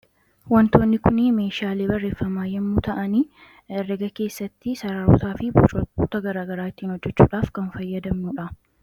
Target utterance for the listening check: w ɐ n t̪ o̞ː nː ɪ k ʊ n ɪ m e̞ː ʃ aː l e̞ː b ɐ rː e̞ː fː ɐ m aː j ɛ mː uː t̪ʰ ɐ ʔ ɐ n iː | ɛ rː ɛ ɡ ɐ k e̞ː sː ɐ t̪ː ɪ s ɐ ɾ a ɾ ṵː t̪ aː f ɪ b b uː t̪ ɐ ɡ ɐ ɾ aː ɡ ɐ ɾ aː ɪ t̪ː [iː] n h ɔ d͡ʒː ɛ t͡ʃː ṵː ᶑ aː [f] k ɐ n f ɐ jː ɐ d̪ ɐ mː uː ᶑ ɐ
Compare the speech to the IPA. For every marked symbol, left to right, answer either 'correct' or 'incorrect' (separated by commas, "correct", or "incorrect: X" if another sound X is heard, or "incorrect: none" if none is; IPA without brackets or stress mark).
correct, correct